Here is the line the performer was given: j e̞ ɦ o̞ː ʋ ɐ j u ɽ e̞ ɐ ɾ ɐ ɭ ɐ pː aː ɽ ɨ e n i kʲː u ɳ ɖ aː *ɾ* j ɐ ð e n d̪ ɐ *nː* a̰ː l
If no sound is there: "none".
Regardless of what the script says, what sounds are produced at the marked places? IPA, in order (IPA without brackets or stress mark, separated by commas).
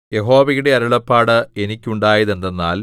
none, nː